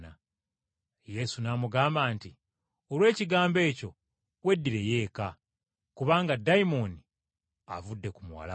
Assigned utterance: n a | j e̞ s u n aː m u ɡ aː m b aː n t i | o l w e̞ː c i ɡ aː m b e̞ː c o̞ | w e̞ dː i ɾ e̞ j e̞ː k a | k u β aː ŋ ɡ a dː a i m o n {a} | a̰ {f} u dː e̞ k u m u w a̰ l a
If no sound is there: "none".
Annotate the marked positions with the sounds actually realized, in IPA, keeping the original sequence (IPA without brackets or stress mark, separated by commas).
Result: i, v